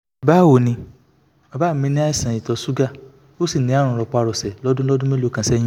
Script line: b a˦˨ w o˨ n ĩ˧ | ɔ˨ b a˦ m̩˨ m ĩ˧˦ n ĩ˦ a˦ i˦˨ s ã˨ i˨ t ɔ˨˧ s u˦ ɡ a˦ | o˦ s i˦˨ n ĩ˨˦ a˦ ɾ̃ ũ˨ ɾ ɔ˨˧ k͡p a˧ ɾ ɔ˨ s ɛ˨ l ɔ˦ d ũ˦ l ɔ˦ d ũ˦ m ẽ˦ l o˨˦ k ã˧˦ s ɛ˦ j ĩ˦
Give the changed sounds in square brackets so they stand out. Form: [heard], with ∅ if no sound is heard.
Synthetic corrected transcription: b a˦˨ w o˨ n ĩ˧ | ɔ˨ b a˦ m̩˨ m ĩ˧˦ n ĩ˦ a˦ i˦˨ s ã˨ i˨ t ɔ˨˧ s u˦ ɡ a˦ | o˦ s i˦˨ n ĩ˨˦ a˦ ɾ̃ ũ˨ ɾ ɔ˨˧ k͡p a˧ ɾ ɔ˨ s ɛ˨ l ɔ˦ d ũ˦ l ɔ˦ d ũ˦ m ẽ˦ l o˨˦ k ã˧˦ s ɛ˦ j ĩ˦

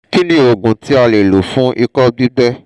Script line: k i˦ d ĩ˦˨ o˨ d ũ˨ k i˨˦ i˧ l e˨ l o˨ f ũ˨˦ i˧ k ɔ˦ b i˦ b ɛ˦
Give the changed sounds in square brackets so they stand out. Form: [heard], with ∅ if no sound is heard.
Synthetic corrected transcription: k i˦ [n] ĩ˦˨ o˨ [ɡ] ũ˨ [t] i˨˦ [a˧] l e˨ l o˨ f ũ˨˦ i˧ k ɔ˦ b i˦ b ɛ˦

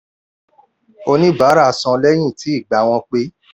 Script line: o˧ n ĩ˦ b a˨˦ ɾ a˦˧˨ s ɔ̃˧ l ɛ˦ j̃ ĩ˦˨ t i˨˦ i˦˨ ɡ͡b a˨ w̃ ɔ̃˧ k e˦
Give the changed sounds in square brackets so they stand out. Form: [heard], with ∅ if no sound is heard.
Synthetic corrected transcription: o˧ n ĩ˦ b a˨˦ ɾ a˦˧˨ s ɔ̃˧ l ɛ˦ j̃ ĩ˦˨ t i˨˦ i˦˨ ɡ͡b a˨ w̃ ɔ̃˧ [k͡p] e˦

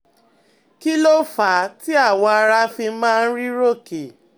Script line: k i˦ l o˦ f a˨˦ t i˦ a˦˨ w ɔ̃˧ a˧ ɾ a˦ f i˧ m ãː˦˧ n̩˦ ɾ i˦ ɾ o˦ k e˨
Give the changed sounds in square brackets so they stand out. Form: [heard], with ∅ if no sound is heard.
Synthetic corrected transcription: k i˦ l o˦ f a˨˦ t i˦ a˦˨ w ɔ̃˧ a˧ ɾ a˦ f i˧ m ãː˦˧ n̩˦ ɾ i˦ ɾ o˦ k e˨

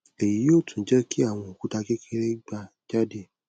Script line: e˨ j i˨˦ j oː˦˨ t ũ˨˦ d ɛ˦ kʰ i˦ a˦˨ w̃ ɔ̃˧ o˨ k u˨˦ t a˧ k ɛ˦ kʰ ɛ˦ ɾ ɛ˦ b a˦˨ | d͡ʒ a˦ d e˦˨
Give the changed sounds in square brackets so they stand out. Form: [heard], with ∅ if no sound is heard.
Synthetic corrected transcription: e˨ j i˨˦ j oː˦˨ t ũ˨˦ [d͡ʒ] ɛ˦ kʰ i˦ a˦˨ w̃ ɔ̃˧ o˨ k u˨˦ t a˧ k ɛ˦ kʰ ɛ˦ ɾ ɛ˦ [ɡ͡b] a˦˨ | d͡ʒ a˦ d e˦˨

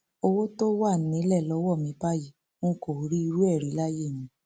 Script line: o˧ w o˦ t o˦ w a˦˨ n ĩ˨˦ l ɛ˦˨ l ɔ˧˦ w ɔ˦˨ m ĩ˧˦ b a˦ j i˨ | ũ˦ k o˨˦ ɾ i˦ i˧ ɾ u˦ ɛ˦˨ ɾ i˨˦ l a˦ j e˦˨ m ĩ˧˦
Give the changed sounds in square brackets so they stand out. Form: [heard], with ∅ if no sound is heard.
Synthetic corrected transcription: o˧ w o˦ t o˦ w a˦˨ n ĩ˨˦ l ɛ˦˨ l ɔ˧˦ w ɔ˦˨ m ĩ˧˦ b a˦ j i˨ | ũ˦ k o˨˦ ɾ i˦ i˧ ɾ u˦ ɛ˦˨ ɾ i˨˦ l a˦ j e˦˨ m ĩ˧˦

